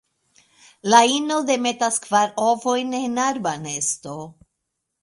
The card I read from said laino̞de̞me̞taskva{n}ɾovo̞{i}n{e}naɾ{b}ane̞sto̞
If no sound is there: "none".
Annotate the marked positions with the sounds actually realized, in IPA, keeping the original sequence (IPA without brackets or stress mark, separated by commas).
none, j, e, b